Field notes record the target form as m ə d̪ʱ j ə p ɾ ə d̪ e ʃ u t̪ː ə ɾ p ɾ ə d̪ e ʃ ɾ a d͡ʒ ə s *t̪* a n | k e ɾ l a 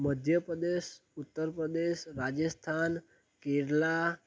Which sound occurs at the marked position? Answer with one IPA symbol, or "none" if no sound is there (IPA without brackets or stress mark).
t̪ʰ